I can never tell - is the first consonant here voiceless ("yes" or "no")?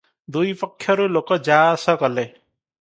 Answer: no